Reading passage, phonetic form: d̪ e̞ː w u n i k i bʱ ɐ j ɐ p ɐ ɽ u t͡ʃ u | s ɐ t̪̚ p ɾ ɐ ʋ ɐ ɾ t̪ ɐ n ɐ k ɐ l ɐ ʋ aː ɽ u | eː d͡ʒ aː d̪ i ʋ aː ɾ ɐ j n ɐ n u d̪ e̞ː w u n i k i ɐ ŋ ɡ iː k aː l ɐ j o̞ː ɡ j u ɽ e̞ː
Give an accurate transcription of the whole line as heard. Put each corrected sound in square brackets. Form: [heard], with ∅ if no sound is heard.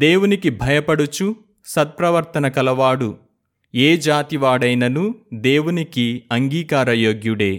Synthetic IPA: d̪ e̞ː w u n i k i bʱ ɐ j ɐ p ɐ ɽ u t͡ʃ u | s ɐ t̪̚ p ɾ ɐ ʋ ɐ ɾ t̪ ɐ n ɐ k ɐ l ɐ ʋ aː ɽ u | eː d͡ʒ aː [t̪] i ʋ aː [ɽ] ɐ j n ɐ n u d̪ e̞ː w u n i k i ɐ ŋ ɡ iː k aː [ɾ] ɐ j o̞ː ɡ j u ɽ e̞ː